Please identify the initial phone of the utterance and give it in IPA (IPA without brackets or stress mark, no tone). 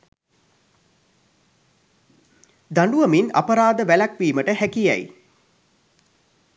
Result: d̪